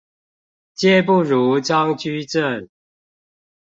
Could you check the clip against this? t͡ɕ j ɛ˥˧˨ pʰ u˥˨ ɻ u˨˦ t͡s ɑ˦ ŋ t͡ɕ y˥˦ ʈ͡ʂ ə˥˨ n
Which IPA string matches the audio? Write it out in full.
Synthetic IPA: t͡ɕ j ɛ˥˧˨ p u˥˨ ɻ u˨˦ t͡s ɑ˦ ŋ t͡ɕ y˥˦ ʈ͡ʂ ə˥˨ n

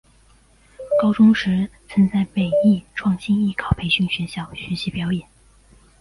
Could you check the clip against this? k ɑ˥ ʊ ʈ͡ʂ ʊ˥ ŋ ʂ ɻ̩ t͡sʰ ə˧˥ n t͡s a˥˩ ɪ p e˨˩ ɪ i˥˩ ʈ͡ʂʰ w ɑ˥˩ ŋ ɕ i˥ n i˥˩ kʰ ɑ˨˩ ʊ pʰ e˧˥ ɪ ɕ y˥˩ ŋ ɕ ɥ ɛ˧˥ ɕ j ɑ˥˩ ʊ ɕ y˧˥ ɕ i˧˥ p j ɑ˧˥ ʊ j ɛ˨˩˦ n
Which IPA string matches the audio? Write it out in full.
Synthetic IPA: k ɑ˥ ʊ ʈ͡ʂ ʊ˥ ŋ ʂ ɻ̩ t͡sʰ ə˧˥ n t͡s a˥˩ ɪ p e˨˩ ɪ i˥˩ ʈ͡ʂʰ w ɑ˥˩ ŋ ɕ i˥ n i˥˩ kʰ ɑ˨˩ ʊ pʰ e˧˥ ɪ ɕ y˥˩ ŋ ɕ ɥ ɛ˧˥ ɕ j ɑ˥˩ ʊ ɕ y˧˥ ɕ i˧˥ p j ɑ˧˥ ʊ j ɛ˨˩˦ n

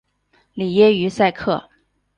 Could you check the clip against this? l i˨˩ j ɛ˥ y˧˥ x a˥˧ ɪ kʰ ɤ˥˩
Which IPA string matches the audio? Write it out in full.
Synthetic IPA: l i˨˩ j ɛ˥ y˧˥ s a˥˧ ɪ kʰ ɤ˥˩

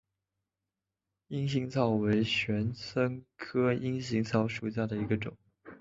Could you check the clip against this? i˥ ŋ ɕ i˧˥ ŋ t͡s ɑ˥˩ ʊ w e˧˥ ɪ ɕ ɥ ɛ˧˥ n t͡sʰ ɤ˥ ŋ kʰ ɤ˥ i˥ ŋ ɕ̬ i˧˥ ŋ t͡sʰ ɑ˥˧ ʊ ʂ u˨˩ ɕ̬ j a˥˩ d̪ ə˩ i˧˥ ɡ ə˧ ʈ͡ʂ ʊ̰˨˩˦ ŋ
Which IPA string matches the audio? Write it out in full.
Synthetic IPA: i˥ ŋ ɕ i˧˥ ŋ t͡sʰ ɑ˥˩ ʊ w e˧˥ ɪ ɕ ɥ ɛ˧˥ n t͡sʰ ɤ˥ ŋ kʰ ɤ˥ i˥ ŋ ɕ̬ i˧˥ ŋ t͡sʰ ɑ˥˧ ʊ ʂ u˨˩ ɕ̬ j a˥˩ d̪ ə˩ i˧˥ ɡ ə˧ ʈ͡ʂ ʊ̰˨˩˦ ŋ

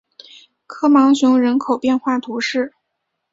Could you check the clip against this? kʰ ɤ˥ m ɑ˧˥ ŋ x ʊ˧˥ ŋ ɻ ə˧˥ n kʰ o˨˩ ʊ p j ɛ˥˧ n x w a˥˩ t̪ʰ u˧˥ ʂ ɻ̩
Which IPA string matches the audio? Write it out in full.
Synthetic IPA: kʰ ɤ˥ m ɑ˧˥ ŋ ɕ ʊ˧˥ ŋ ɻ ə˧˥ n kʰ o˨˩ ʊ p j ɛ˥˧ n x w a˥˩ t̪ʰ u˧˥ ʂ ɻ̩

